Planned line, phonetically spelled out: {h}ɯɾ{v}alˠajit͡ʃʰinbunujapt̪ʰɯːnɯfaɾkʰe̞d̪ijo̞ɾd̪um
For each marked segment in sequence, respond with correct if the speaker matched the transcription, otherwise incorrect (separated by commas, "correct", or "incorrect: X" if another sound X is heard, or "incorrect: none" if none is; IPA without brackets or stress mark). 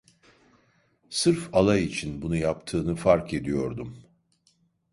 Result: incorrect: s, incorrect: f